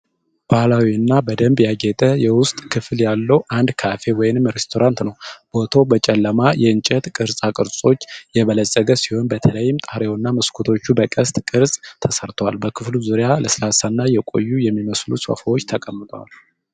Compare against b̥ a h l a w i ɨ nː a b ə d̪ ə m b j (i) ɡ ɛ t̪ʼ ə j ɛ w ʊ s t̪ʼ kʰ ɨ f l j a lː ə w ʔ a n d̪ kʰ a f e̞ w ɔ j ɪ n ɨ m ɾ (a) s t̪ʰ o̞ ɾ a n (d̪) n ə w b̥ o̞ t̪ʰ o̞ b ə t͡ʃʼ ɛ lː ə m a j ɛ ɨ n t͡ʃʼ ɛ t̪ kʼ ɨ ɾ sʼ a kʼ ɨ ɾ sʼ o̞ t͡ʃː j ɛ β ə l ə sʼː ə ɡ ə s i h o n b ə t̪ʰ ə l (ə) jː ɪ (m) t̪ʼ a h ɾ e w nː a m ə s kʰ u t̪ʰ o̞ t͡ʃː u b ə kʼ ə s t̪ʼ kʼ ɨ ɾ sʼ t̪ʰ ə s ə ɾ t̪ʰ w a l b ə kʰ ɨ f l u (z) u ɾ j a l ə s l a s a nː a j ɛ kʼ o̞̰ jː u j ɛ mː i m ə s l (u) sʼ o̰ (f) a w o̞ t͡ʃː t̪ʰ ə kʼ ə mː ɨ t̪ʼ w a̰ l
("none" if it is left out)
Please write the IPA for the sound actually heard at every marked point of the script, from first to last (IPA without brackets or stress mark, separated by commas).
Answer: a, e, t̪, ə, m, z, u, f